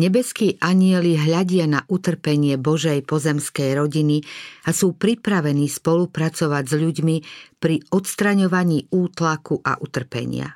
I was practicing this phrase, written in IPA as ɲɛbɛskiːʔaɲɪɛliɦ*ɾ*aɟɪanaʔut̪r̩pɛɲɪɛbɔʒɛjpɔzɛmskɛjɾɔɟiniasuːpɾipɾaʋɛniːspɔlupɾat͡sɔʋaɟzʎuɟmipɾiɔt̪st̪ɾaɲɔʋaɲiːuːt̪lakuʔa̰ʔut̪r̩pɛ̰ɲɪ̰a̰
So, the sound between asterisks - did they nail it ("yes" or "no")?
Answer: no